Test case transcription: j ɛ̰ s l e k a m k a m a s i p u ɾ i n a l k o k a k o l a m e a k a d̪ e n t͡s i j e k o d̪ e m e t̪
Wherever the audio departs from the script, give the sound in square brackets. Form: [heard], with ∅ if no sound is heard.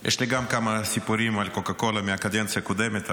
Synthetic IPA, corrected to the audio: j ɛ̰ [ʃ] l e [ɡ] a m k a m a s i p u ɾ i [m] a l k o k a k o l a m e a k a d̪ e n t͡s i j [a] k o d̪ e m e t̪

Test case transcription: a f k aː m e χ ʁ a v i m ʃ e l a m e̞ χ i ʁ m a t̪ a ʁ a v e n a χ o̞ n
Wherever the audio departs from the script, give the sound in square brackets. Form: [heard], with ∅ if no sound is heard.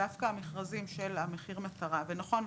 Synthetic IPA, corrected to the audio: a f k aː m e χ ʁ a [z] i m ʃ e l a m e̞ χ i ʁ m a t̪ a ʁ a v e n a χ o̞ n

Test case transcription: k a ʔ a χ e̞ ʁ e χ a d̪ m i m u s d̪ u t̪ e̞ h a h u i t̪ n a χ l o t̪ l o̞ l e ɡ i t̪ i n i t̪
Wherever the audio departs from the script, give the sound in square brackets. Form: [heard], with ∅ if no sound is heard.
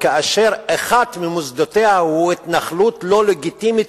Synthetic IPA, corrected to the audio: k a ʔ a [ʃ] e̞ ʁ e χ a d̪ m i m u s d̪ [o] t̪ e̞ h a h u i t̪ n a χ l [u] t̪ l o̞ l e ɡ i t̪ i [m] i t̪

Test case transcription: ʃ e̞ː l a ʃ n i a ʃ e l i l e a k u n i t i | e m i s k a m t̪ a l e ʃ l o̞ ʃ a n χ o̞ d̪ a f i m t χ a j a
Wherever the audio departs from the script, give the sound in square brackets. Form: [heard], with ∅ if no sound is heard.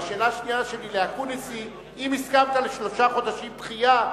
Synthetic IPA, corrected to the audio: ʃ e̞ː l a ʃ n i a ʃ e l i l e a k u n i [s] i | [i] m i s k a m t̪ a l e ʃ l o̞ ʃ a [∅] χ o̞ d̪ a [ʃ] i m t χ [i] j a

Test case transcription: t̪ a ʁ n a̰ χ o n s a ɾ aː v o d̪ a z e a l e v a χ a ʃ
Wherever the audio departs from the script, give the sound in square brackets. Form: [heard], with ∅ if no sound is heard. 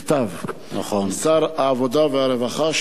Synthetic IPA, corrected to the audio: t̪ a [v] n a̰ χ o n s a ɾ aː v o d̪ a [v] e a [ɾ] e v a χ a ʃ

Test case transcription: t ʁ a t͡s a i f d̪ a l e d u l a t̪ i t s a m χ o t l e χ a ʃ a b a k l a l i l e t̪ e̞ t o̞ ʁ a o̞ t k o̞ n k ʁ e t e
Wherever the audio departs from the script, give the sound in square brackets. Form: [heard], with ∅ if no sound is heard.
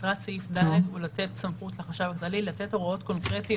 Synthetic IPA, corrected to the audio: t ʁ a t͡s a i f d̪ a l e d u l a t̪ [e] t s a m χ [u] t l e χ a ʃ a [v] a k l a l i l [a] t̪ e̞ t o̞ ʁ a o̞ t k o̞ n k ʁ e t [i]

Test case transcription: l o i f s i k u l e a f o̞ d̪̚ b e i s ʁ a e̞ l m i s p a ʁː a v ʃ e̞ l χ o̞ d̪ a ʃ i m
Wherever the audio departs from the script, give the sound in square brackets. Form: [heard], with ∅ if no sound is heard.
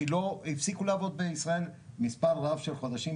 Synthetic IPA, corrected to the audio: l o i f s i k u l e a [v] o̞ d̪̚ b e i s ʁ a e̞ l m i s p a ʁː a v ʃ e̞ l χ o̞ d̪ a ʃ i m

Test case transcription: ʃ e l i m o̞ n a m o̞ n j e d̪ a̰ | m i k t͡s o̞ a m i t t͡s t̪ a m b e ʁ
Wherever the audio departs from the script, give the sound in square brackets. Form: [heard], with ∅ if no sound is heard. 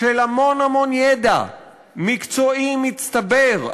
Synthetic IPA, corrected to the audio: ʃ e l [a] m o̞ n a m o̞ n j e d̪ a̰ | m i k t͡s o̞ [i] m i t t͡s t̪ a [∅] b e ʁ

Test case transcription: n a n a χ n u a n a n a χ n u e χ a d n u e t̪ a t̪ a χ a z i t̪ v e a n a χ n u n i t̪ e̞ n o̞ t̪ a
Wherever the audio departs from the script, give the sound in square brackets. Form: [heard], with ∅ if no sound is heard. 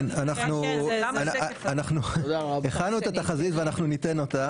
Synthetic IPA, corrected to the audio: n a n a χ n u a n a n a χ n u e χ a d n u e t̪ a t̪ a χ a z i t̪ v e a n a χ n u n i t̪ e̞ n o̞ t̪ a

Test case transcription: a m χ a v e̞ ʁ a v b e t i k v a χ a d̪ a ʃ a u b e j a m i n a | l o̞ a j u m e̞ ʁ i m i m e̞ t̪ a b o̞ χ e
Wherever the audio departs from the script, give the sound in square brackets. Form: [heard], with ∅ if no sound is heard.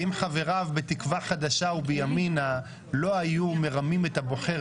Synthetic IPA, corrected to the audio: [i] m χ a v e̞ ʁ a v b e t i k v a χ a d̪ a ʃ a u b e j a m i n a | l o̞ a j u m e̞ ʁ [a] m i m e̞ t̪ a b o̞ χ e

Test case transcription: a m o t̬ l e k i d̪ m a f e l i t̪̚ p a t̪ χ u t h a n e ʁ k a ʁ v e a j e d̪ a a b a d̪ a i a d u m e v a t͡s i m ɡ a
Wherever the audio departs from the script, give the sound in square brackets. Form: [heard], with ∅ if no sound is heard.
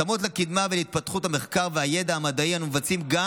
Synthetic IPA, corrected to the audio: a m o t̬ l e k i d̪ m a [v] e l i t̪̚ p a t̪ χ u t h a [m] e [χ] k a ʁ v e a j e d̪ a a [m] a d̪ a i a [n] u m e v a t͡s i m ɡ a

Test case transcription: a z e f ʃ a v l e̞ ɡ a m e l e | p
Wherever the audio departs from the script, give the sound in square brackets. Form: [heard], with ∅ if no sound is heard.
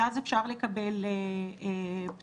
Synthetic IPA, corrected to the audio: a z e f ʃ a [ʁ] l e̞ [k] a [b] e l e | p

